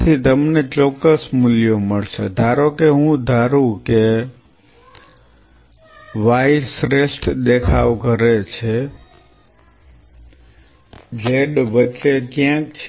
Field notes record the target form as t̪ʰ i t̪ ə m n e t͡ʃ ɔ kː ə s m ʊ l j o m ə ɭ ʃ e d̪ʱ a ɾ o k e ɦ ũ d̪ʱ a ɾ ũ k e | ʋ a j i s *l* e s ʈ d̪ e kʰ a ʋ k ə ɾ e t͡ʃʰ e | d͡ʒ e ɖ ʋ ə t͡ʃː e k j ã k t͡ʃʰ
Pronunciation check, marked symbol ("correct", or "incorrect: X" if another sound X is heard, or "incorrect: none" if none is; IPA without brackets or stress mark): incorrect: ɾ